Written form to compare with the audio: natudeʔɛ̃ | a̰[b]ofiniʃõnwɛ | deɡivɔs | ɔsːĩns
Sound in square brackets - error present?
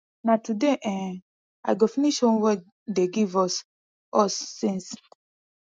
yes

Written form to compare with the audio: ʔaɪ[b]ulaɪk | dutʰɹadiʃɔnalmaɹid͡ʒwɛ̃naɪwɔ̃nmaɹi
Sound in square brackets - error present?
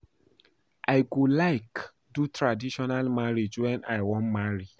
yes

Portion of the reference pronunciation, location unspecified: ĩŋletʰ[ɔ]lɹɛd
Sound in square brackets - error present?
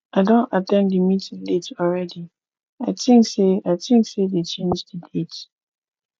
no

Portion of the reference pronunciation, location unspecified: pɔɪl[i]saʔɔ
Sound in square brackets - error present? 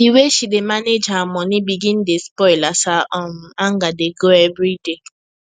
yes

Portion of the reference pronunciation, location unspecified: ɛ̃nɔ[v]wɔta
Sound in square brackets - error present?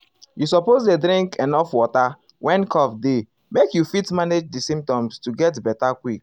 yes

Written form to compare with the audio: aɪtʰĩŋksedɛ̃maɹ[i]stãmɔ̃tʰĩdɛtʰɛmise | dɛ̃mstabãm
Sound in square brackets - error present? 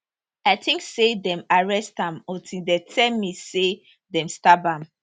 yes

